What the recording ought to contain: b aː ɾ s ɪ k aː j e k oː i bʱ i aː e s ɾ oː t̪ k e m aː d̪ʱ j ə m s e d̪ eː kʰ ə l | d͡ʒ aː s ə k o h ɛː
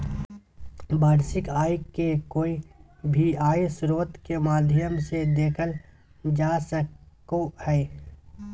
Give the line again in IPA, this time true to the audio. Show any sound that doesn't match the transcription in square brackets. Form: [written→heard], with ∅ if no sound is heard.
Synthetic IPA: b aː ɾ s ɪ k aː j e k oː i bʱ i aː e s ɾ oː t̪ k e m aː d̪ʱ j ə m s e d̪ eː kʰ ə l | d͡ʒ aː s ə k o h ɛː